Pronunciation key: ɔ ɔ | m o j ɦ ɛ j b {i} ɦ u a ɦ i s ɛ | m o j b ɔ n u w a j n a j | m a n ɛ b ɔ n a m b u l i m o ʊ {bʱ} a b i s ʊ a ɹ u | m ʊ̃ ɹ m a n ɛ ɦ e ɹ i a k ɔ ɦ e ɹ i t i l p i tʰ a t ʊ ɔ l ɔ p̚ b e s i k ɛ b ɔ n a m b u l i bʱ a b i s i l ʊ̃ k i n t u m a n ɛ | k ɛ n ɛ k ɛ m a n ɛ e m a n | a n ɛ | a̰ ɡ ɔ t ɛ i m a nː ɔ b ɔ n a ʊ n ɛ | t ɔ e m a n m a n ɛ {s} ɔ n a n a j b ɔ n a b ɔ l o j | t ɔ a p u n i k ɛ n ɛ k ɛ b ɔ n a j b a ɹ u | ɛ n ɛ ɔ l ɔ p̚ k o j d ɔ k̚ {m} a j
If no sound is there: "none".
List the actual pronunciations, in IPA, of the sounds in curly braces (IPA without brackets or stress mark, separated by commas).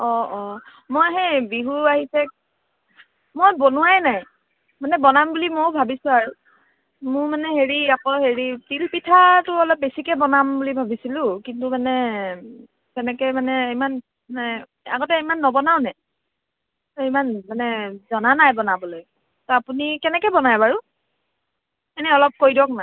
i, bʱ, z, n